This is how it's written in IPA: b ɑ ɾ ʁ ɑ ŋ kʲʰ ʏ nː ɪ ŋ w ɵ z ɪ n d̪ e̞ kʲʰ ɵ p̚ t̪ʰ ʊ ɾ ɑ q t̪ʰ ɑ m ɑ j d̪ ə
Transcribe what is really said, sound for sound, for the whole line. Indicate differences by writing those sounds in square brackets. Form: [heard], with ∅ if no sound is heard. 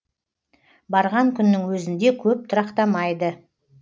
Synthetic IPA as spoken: b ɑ ɾ ʁ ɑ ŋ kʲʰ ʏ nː ɪ ŋ w ɵ z ɪ n d̪ e̞ kʲʰ ɵ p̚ t̪ʰ ʊ ɾ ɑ q [t̪] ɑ m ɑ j d̪ ə